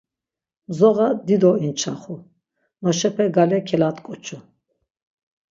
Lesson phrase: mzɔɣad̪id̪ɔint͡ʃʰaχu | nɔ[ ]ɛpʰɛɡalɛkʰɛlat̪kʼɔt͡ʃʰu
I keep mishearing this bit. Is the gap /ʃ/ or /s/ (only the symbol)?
ʃ